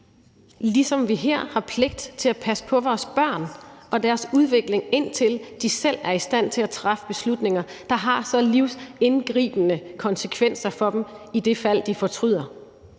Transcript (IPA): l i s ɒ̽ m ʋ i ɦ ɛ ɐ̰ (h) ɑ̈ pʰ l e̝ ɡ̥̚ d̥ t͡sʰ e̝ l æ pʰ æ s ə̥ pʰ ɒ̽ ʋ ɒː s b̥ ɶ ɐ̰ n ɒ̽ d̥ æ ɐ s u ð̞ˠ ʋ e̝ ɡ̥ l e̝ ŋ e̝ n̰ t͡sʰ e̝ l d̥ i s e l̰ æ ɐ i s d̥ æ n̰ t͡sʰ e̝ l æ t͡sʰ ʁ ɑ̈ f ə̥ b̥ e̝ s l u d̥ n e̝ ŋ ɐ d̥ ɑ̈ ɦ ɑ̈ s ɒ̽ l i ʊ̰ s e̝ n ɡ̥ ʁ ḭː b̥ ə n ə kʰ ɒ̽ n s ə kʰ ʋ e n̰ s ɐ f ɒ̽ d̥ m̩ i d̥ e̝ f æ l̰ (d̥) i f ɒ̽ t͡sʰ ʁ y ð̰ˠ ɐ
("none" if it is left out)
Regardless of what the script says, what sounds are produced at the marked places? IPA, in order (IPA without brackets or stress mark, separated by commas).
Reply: h, d̥